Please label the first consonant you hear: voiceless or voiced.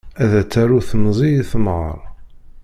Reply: voiced